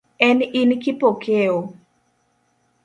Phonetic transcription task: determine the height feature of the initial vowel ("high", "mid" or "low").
mid